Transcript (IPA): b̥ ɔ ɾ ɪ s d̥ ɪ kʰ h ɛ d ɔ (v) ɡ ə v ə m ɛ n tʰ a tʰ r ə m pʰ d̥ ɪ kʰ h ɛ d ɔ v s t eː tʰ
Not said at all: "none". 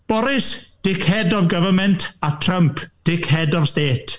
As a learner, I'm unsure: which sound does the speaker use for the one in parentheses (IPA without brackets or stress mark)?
v